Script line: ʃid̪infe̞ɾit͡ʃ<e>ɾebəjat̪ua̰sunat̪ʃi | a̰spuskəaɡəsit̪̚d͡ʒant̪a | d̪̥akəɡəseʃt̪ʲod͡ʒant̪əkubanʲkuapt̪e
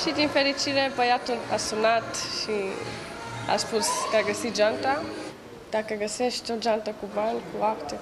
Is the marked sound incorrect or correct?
incorrect